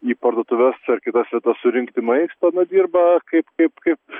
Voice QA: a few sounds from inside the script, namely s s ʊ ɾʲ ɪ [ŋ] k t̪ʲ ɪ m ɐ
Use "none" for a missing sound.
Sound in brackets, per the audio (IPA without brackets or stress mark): ŋ